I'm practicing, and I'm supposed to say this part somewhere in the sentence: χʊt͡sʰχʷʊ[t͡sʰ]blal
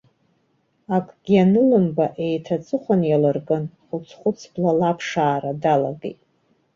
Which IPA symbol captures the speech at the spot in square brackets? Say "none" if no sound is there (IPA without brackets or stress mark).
t͡sʰ